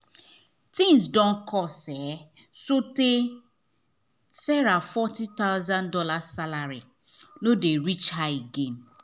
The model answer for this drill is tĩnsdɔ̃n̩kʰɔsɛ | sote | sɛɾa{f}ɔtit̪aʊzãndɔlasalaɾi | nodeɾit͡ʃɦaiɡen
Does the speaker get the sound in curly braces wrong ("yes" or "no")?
no